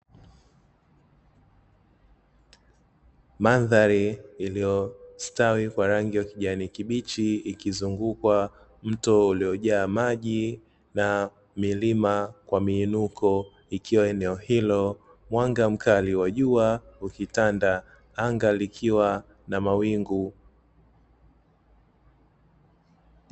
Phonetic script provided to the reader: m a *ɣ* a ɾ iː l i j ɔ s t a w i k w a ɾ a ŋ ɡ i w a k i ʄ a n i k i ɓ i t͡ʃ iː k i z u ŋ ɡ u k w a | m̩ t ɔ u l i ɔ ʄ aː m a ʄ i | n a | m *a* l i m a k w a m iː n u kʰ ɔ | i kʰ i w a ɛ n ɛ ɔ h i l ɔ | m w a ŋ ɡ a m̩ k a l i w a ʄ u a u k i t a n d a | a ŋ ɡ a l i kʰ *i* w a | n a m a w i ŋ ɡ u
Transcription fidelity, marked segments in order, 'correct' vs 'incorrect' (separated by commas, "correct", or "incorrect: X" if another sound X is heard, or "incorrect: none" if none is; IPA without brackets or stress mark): incorrect: ð, incorrect: i, correct